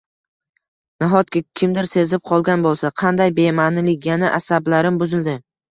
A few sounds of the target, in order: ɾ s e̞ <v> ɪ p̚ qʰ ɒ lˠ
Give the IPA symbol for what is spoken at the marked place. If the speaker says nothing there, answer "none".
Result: z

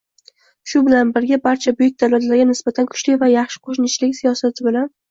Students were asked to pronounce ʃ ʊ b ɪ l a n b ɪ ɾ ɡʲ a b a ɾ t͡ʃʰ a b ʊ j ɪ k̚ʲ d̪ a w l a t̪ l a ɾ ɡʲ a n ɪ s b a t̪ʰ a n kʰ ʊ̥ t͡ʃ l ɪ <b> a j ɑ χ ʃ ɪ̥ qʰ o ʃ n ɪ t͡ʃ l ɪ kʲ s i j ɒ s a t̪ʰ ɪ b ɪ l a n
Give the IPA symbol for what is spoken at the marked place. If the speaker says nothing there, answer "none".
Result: v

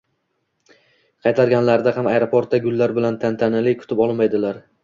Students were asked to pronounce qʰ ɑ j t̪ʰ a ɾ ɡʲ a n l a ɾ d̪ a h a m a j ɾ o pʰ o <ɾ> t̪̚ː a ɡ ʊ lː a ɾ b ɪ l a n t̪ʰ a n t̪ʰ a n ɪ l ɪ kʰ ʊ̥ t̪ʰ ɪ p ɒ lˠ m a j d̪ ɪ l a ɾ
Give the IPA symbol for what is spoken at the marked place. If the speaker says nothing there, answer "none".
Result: ɾ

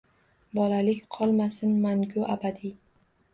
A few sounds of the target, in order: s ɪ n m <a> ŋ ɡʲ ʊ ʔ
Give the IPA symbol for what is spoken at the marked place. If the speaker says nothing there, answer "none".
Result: a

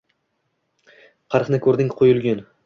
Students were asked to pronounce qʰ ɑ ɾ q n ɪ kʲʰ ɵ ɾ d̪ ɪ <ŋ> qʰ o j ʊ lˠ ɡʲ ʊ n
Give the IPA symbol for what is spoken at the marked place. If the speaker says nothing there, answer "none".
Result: ŋ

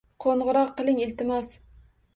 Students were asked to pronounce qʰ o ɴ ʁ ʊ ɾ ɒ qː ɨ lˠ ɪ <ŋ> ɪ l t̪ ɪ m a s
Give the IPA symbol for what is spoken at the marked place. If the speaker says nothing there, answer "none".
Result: ŋ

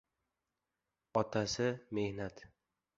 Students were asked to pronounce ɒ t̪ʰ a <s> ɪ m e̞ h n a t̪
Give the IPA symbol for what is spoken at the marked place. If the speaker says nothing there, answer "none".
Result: s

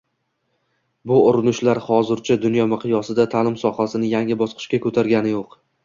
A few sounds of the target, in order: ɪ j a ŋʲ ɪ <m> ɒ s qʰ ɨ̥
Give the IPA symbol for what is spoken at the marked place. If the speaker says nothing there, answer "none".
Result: b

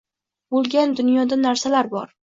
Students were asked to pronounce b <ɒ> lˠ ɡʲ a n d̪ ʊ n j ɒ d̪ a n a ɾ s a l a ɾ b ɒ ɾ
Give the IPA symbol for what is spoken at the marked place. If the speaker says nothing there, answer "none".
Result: o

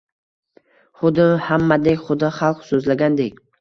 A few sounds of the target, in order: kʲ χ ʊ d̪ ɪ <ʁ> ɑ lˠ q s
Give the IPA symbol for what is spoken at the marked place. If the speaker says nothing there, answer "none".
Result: χ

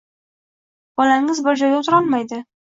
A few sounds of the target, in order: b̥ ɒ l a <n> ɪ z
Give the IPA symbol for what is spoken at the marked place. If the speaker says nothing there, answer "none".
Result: ŋ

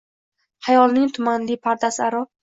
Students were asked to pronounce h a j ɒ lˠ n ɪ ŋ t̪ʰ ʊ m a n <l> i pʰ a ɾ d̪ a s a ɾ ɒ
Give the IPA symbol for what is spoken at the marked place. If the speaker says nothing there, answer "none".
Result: l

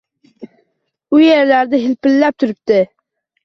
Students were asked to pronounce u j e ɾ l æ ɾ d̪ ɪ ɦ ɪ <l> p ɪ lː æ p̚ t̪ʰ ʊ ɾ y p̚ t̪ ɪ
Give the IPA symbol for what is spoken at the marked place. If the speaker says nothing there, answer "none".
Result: l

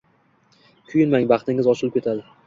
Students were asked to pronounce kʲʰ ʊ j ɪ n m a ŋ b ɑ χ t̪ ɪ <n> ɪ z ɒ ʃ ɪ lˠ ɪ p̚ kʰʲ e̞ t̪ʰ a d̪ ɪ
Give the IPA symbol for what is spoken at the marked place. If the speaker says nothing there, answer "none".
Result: ŋ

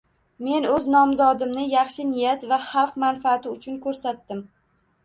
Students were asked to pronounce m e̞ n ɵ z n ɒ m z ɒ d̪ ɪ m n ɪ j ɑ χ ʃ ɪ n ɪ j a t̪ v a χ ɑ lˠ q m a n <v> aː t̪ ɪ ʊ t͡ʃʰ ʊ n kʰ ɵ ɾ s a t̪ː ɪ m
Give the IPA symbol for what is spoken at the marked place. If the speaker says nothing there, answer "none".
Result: f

